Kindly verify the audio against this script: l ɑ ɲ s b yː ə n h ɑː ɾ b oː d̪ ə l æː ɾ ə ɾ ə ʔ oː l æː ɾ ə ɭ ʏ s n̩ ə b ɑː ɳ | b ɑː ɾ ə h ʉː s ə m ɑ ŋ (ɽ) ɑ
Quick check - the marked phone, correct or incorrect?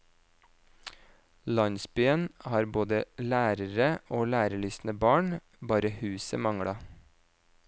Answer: correct